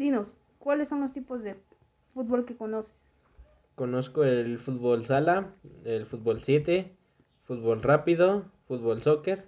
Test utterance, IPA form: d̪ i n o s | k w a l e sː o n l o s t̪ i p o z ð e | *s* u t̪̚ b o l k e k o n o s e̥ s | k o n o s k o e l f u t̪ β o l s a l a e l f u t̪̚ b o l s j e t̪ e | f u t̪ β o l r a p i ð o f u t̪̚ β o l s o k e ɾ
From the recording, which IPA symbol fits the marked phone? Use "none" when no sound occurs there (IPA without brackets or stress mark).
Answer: f